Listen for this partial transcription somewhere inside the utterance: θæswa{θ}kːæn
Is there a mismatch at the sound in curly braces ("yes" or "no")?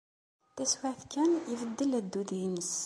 no